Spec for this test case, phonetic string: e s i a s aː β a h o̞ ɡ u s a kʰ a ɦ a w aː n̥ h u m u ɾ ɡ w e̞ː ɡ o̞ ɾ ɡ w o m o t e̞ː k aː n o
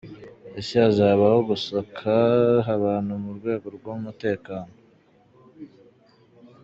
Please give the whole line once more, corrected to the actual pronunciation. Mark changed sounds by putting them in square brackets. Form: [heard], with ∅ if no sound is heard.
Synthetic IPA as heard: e s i a [z] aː β a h o̞ ɡ u s a kʰ a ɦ a [β] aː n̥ h u m u ɾ ɡ w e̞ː ɡ o̞ ɾ ɡ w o m [u] t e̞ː k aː n o